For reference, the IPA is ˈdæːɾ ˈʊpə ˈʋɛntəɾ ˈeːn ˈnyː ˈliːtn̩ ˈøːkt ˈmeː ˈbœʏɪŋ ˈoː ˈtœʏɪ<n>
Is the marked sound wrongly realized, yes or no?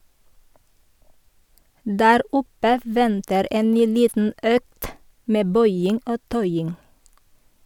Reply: yes